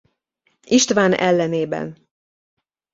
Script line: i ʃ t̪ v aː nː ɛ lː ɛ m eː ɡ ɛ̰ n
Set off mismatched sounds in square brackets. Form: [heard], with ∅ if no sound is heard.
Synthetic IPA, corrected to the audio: i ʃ t̪ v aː [n] ɛ lː ɛ [n] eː [b] ɛ̰ n